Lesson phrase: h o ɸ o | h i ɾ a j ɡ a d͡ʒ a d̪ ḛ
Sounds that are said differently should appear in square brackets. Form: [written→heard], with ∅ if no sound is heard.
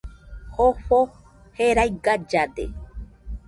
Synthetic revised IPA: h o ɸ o | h [i→e] ɾ a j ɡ a d͡ʒ a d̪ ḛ